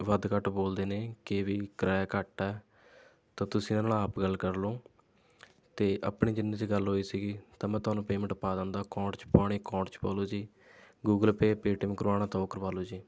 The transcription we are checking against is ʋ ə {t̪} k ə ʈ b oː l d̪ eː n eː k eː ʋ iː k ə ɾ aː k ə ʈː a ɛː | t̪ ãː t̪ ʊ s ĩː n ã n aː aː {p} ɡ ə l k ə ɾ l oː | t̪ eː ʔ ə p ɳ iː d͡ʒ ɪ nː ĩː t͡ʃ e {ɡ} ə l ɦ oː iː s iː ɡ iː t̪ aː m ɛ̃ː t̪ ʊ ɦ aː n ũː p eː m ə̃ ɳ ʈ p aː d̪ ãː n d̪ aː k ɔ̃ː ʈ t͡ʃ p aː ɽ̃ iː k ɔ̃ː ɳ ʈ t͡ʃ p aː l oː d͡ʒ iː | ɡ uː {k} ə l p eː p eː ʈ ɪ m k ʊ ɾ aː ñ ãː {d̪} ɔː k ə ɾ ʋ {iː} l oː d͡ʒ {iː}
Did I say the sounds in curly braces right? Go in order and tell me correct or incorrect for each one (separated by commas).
incorrect, correct, correct, incorrect, incorrect, incorrect, correct